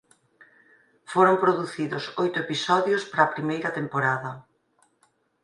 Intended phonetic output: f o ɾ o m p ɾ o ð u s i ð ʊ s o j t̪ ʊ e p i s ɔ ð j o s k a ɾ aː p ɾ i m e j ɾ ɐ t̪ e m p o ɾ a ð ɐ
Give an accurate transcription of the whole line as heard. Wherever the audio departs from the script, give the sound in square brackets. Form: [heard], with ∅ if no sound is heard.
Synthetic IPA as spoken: f o ɾ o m p ɾ o ð u [θ] i ð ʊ s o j t̪ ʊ e p i s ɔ ð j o s [p] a ɾ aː p ɾ i m e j ɾ ɐ t̪ e m p o ɾ a ð ɐ